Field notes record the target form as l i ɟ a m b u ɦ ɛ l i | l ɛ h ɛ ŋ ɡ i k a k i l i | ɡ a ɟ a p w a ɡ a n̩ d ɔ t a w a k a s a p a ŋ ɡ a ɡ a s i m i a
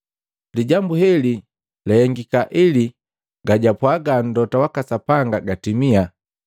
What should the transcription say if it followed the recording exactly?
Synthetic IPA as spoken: l i ɟ a m b u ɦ ɛ l i | l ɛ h ɛ ŋ ɡ i k a ʔ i l i | ɡ a ɟ a p w a ɡ a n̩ d ɔ t a w a k a s a p a ŋ ɡ a ɡ a t i m i a

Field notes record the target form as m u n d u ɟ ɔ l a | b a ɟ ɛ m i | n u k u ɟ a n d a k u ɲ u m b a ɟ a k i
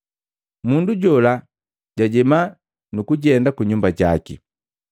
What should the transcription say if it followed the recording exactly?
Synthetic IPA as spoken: m u n d u ɟ ɔ l a | ɟ a ɟ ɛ m a | n u k u ɟ ɛ n d a k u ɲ u m b a ɟ a k i

